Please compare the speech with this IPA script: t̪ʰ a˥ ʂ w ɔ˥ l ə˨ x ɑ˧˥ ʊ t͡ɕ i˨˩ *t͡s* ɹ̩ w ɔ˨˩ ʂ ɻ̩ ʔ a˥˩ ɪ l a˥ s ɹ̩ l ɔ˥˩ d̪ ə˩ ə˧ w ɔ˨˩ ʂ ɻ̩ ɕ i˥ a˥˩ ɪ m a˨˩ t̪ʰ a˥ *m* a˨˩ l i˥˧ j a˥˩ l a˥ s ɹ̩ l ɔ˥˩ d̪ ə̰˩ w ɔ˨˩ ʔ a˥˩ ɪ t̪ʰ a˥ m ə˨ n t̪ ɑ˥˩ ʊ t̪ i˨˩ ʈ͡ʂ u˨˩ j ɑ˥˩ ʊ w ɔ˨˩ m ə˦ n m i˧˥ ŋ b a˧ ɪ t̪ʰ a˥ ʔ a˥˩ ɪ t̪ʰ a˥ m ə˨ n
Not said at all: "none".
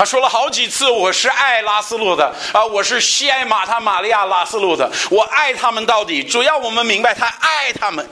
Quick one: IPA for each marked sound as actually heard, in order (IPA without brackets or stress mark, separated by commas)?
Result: t͡sʰ, m